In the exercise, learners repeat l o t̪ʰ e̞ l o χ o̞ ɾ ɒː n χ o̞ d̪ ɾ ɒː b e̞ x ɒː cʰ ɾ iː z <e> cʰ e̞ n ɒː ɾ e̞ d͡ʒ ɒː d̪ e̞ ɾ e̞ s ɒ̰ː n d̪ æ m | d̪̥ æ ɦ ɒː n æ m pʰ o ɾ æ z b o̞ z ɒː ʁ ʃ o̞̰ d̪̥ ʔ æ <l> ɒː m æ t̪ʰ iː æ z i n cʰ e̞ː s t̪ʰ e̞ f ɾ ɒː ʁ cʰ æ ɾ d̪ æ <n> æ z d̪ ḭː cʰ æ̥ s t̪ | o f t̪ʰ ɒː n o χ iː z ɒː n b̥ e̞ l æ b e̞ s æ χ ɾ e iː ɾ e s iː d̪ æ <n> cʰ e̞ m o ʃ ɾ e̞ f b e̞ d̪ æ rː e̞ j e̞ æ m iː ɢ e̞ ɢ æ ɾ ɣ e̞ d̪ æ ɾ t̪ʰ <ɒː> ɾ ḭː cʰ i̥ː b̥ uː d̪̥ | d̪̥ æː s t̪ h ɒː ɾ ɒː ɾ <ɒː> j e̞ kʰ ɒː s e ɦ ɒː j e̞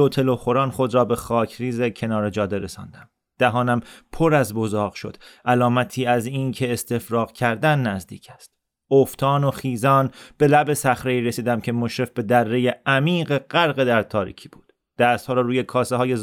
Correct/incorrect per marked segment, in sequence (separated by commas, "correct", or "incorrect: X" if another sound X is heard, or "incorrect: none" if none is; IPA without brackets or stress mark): correct, correct, incorrect: nː, incorrect: m, correct, incorrect: uː